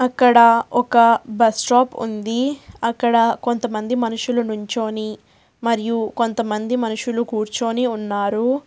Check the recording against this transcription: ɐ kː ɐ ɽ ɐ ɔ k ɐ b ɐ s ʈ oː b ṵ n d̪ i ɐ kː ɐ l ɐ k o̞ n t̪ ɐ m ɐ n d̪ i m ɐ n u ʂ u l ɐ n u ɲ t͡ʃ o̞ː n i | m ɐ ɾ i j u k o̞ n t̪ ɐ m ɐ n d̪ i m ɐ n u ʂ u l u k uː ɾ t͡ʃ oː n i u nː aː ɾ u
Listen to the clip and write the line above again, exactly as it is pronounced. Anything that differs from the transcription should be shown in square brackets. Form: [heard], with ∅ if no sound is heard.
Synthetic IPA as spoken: ɐ kː ɐ ɽ ɐ ɔ k ɐ b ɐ s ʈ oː [p] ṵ n d̪ i ɐ kː ɐ [ɽ] ɐ k o̞ n t̪ ɐ m ɐ n d̪ i m ɐ n u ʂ u l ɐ n u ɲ t͡ʃ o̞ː n i | m ɐ ɾ i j u k o̞ n t̪ ɐ m ɐ n d̪ i m ɐ n u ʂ u l u k uː ɾ t͡ʃ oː n i u nː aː ɾ u